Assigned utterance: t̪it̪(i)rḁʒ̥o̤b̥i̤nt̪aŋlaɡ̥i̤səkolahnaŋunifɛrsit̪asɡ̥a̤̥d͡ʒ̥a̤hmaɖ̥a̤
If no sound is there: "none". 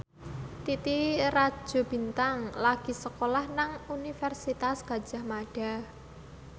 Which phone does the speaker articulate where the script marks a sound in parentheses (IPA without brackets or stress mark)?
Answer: i